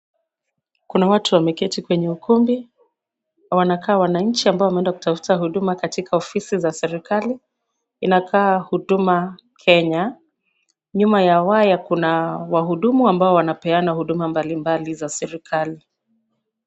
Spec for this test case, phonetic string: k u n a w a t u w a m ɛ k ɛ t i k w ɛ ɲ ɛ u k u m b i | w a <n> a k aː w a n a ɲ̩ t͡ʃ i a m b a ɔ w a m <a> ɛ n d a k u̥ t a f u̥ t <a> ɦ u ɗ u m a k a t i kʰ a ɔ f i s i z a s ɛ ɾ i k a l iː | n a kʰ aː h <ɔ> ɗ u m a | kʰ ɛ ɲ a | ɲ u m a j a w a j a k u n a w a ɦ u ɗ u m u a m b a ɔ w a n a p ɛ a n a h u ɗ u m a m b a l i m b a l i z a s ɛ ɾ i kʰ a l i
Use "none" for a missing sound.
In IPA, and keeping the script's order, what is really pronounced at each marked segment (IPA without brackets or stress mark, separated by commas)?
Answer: n, ɛ, a, u